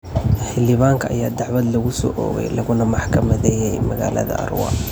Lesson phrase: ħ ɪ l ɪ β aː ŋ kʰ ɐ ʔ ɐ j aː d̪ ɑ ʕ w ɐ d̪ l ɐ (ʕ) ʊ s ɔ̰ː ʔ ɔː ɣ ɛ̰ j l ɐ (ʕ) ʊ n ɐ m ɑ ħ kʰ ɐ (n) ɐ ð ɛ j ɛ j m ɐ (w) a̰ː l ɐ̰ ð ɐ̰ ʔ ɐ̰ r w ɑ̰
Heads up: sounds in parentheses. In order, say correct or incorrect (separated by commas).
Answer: incorrect, incorrect, incorrect, incorrect